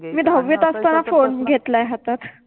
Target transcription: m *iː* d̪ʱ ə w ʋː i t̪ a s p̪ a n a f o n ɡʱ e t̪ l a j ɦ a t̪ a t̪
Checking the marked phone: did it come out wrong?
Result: no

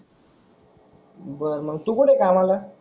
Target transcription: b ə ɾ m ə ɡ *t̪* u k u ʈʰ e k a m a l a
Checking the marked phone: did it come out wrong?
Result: no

